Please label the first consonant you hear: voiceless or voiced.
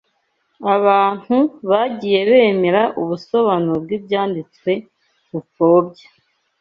voiced